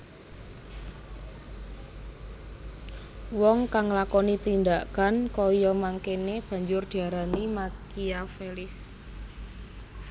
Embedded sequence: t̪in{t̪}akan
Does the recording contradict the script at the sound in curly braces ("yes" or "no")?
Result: yes